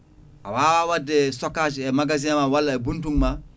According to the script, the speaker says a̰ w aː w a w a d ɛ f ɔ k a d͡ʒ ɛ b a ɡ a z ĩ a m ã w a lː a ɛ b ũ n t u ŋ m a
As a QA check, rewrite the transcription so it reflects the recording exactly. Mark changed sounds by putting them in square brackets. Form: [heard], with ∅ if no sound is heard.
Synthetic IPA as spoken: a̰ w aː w a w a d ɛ [s] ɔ k a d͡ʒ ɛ [m] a ɡ a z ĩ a m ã w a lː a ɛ b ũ n t u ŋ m a